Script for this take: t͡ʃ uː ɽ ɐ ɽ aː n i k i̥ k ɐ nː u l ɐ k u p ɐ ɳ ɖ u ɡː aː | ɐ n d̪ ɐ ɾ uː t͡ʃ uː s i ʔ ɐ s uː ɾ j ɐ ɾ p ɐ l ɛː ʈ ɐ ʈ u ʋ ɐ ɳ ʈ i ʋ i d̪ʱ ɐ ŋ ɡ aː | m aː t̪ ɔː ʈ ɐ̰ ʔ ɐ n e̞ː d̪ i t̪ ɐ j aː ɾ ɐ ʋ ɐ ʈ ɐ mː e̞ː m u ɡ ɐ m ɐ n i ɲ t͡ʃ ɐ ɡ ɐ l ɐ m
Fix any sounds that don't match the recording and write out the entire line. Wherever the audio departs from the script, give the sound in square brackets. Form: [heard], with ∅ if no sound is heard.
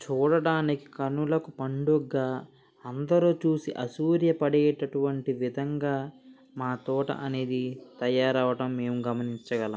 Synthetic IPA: t͡ʃ uː ɽ ɐ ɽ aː n i k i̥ k ɐ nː u l ɐ k u p ɐ ɳ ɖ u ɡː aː | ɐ n d̪ ɐ ɾ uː t͡ʃ uː s i ʔ ɐ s uː ɾ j ɐ [∅] p ɐ [ɽ] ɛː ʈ ɐ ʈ u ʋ ɐ ɳ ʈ i ʋ i d̪ʱ ɐ ŋ ɡ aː | m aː t̪ ɔː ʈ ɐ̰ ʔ ɐ n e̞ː d̪ i t̪ ɐ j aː ɾ ɐ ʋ ɐ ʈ ɐ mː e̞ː m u ɡ ɐ m ɐ n i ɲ t͡ʃ ɐ ɡ ɐ l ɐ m